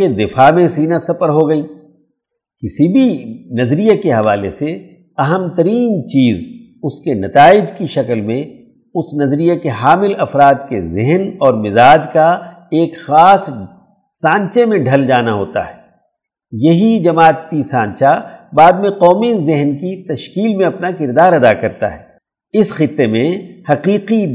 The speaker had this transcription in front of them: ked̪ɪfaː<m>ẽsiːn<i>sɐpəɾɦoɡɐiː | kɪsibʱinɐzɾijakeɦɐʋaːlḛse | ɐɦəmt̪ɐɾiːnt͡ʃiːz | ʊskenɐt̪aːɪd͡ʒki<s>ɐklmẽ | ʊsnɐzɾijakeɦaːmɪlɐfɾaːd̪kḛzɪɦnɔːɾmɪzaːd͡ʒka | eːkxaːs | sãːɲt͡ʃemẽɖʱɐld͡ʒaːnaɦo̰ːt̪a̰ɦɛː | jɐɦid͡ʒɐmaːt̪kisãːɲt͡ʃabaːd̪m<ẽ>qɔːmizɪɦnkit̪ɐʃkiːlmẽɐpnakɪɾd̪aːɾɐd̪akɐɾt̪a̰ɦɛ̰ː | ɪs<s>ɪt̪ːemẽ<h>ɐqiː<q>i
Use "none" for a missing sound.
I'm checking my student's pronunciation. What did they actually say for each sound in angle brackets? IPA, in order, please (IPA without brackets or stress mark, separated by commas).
m, a, ʃ, ẽ, x, h, q